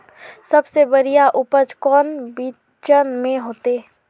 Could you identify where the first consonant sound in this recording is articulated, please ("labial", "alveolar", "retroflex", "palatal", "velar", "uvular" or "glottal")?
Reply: alveolar